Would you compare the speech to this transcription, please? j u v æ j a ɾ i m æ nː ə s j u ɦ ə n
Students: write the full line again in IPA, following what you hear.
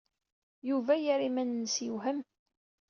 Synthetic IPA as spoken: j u v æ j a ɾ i m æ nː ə s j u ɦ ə m